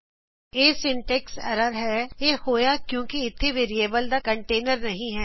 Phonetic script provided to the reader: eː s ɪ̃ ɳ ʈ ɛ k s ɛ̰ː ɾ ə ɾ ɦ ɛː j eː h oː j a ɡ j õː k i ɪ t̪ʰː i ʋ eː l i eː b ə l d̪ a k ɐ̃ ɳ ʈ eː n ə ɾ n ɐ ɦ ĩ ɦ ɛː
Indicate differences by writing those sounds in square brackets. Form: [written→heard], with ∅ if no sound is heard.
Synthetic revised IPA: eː s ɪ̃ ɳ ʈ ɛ k s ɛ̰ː ɾ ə ɾ ɦ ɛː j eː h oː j a [ɡ→k] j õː k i ɪ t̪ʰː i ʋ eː [l→ɾ] i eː b ə l d̪ a k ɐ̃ ɳ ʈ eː n ə ɾ n ɐ ɦ ĩ ɦ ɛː